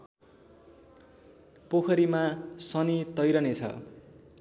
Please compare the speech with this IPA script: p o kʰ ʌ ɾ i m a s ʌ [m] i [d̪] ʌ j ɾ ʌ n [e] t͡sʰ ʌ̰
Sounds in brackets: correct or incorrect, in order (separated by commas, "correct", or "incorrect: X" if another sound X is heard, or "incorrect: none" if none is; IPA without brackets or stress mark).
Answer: incorrect: n, incorrect: t̪, correct